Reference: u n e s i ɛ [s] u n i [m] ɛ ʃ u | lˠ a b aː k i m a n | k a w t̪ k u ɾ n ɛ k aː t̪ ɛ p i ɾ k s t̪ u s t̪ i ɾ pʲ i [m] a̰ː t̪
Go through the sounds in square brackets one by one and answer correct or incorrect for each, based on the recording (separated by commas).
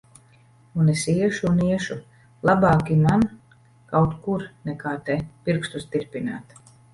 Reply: incorrect, incorrect, incorrect